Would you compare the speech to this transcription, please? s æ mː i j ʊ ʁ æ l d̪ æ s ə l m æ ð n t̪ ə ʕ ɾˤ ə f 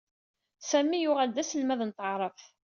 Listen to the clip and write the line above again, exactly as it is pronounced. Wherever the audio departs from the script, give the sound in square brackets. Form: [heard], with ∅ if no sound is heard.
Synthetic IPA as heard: s æ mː i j ʊ ʁ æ l d̪ æ s ə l m æ ð n t̪ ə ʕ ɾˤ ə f